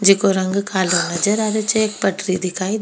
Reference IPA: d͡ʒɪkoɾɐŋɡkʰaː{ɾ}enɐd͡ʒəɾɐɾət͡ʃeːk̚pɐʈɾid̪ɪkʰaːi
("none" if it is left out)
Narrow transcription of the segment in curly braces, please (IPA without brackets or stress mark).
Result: l